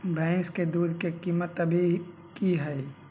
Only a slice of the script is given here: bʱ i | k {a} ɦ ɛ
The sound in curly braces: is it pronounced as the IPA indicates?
no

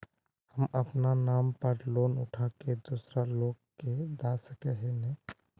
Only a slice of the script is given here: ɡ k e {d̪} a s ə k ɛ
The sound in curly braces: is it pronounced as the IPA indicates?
yes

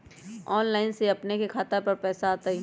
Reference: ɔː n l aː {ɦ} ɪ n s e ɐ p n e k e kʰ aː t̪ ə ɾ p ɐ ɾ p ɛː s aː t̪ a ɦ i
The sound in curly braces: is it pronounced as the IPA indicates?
no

